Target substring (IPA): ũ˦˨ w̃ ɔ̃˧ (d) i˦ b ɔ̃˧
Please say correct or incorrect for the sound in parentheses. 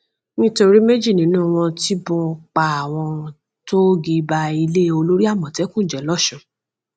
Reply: incorrect